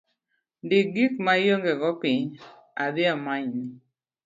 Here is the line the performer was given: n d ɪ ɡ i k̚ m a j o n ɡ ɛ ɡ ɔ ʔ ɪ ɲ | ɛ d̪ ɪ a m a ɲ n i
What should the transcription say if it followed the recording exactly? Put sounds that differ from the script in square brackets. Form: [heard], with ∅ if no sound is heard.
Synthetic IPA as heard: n d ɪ ɡ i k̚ m a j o [ŋ] ɡ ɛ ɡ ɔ [p] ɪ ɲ | [a] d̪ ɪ a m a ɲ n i